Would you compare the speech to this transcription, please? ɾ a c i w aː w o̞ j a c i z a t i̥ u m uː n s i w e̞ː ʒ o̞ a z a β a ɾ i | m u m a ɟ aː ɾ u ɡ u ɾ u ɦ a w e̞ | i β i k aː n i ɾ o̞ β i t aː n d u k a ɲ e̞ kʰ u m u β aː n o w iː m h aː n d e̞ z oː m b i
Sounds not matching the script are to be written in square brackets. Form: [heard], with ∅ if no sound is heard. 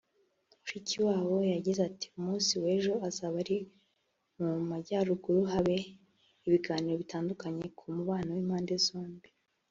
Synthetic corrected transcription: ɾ [i] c i w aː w o̞ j a [ɟ] i z a t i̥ u m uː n s i w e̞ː ʒ o̞ a z a β a ɾ i | m u m a ɟ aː ɾ u ɡ u ɾ u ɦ a [β] e̞ | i β i [ɡ] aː n i ɾ o̞ β i t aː n d u k a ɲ e̞ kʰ u m u β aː n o w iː m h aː n d e̞ z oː m b i